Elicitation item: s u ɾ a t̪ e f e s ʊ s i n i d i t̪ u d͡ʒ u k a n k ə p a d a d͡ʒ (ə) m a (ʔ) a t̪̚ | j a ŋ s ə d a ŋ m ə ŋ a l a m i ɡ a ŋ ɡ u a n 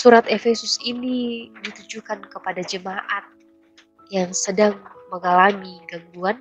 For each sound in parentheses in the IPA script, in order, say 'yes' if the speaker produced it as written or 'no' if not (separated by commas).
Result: yes, yes